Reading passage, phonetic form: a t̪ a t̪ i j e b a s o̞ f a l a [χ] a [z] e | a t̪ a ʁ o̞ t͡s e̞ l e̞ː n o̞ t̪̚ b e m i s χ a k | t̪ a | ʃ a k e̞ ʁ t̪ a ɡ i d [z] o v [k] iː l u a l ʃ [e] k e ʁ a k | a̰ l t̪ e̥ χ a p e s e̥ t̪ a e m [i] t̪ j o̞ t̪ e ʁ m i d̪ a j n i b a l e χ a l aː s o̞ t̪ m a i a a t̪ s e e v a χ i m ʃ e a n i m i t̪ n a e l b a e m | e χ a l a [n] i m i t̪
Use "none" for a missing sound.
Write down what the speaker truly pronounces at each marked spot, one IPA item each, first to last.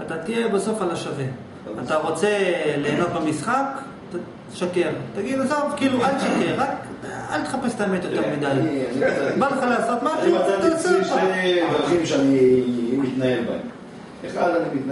ʃ, v, z, k, a, e, n

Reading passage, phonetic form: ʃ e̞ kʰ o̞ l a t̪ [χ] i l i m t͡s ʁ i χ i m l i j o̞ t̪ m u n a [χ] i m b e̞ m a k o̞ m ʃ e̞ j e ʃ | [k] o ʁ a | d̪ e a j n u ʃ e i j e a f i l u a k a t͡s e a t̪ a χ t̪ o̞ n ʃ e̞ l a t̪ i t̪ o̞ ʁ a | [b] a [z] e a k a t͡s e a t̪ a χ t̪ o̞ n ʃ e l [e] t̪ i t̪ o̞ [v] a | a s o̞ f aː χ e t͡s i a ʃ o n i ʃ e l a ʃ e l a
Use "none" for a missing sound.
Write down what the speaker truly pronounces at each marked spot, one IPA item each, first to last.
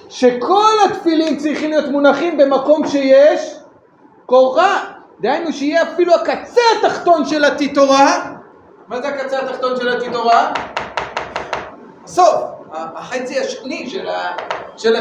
f, χ, k, m, z, a, ʁ

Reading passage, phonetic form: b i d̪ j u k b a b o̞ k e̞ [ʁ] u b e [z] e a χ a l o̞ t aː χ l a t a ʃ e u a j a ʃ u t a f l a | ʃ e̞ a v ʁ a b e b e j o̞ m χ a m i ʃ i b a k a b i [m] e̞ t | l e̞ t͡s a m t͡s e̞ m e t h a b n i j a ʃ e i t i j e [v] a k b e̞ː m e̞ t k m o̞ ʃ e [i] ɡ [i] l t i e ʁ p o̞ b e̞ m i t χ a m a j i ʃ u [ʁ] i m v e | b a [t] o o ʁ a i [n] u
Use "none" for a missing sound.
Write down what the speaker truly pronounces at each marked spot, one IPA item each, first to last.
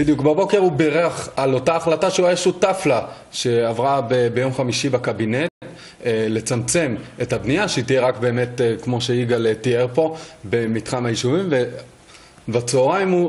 ʁ, ʁ, n, ʁ, i, a, v, t͡s, m

